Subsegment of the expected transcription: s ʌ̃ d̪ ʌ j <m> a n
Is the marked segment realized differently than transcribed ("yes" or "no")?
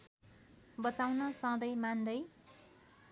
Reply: no